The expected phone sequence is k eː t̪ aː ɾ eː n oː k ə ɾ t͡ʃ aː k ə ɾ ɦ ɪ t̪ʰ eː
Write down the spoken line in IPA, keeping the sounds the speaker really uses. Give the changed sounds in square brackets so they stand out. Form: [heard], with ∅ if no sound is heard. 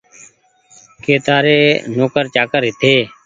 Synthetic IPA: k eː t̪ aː ɾ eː n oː k ə ɾ t͡ʃ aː k ə ɾ ɦ ɪ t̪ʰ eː